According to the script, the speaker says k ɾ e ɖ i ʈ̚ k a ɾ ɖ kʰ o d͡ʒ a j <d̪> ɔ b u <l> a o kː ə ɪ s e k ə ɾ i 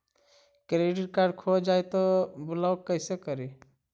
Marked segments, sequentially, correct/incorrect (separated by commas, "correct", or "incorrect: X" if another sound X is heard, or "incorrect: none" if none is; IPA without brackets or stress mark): incorrect: t̪, correct